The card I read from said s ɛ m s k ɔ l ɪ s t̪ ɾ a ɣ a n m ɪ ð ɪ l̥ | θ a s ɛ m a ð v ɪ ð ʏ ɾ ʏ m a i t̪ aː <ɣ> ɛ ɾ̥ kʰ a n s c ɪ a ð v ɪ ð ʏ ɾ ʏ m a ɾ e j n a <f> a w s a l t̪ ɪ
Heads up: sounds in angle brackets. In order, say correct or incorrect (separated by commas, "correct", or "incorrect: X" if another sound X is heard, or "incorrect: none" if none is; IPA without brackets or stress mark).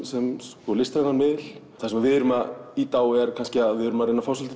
incorrect: w, correct